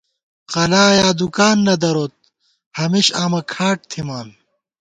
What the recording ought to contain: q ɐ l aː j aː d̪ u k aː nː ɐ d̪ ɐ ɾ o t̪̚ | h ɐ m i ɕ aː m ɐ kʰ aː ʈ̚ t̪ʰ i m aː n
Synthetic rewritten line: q ɐ l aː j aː d̪ u k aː nː ɐ d̪ ɐ ɾ o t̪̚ | h ɐ m i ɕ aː m ɐ kʰ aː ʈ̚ t̪ʰ i m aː n